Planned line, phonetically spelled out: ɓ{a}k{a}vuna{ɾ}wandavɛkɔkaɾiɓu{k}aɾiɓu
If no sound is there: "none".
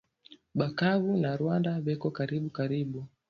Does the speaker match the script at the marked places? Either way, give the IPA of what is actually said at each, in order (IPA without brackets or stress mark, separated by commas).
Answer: a, a, ɾ, k